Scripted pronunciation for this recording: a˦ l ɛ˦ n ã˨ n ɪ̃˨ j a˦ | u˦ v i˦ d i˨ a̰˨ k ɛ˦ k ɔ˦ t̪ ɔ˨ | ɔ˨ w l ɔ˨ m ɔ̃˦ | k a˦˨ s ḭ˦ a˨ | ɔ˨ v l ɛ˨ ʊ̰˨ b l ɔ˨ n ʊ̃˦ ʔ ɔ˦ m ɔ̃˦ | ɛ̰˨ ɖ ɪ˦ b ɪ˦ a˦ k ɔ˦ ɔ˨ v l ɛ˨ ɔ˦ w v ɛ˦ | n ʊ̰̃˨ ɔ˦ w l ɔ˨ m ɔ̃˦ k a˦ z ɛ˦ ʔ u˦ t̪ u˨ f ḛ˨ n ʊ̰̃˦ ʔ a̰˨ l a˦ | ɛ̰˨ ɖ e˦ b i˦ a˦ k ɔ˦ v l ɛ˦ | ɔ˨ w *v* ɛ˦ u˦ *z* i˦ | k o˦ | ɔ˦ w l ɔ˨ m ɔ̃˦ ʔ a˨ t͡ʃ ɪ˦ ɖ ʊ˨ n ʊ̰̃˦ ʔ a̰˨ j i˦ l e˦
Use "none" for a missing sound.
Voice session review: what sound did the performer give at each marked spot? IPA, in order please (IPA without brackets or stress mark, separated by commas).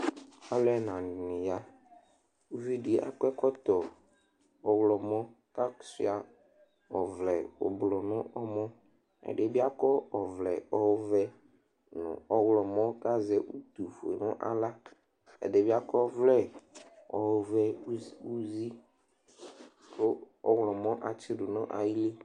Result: v, z